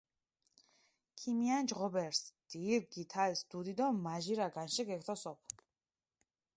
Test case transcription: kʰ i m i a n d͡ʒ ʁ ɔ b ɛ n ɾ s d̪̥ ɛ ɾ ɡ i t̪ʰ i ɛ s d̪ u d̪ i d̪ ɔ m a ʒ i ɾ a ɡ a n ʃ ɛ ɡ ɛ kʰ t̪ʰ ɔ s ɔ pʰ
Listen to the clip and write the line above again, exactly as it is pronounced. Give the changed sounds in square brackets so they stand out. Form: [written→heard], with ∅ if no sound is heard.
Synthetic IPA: kʰ i m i a n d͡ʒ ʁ ɔ b ɛ [n→∅] ɾ s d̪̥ [ɛ→i] ɾ ɡ i t̪ʰ [i→a] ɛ s d̪ u d̪ i d̪ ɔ m a ʒ i ɾ a ɡ a n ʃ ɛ ɡ ɛ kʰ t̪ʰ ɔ s ɔ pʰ